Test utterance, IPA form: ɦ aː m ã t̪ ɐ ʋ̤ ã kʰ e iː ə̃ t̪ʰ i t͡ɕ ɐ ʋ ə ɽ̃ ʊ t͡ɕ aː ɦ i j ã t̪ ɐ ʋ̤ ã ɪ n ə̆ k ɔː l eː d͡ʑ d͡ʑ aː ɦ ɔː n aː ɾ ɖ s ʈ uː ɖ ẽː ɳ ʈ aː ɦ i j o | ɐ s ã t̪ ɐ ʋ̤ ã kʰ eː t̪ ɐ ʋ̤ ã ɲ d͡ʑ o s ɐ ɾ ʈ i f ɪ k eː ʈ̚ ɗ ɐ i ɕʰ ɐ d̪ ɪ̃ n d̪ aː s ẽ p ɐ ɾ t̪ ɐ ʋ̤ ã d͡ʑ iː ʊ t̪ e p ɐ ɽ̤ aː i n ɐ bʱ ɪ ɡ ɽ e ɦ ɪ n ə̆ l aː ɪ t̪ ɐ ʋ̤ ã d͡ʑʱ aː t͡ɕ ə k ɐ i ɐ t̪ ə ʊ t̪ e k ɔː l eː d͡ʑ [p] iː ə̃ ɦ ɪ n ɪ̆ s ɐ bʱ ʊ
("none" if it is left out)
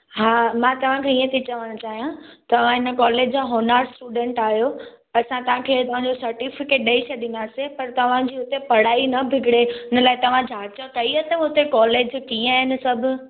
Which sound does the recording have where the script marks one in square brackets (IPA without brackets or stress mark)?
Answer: k